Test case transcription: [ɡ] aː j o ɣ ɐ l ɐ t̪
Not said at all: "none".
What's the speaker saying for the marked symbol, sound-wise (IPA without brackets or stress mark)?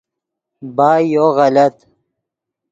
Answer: b